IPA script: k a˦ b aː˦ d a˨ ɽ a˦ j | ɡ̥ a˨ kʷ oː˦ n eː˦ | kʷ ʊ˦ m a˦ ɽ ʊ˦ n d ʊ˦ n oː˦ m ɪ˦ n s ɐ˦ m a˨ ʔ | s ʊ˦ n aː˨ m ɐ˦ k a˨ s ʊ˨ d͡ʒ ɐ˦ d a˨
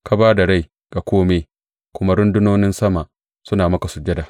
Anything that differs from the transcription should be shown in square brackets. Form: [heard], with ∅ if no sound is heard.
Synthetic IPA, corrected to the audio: k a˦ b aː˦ d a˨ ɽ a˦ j | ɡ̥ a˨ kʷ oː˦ [m] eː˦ | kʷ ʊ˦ m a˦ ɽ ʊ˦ n d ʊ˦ n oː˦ [n] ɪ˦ n s ɐ˦ m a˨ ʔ | s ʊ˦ n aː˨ m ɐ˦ k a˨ s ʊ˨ d͡ʒ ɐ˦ d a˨